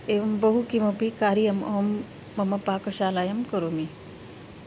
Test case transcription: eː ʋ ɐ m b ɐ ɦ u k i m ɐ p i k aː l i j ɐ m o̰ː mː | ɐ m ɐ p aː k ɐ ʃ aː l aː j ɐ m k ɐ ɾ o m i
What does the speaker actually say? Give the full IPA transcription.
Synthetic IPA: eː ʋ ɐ m b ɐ ɦ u k i m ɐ p i k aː ɾ i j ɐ m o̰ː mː | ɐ m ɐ p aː k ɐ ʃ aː l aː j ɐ m k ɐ ɾ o m i